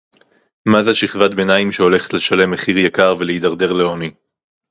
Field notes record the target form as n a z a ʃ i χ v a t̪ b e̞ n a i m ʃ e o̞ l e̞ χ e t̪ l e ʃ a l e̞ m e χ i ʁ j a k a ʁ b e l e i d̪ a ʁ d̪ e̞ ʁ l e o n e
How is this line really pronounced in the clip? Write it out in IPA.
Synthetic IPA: m a z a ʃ i χ v a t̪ b e̞ n a i m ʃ e o̞ l e̞ χ e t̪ l e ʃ a l e̞ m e χ i ʁ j a k a ʁ v e l e i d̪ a ʁ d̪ e̞ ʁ l e o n i